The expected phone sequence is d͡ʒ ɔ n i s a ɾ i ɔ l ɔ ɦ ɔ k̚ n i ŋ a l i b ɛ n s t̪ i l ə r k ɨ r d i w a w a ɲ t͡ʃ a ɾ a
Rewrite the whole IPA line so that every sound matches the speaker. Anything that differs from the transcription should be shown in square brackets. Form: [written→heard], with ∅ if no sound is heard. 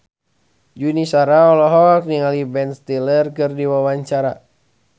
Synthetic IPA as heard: d͡ʒ [ɔ→u] n i s a ɾ [i→a] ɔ l ɔ ɦ ɔ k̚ n i ŋ a l i b ɛ n s t̪ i l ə r k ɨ r d i w a w a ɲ t͡ʃ a ɾ a